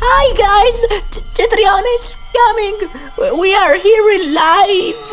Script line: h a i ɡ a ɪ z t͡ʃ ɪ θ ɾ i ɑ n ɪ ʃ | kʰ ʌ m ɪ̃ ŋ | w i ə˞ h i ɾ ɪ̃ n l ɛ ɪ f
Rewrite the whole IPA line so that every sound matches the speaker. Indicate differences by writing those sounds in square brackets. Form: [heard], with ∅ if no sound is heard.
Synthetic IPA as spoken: h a [ɪ] ɡ a ɪ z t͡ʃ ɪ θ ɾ i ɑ n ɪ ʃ | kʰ ʌ m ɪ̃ ŋ | w i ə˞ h i [ɹ] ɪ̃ n l [a] ɪ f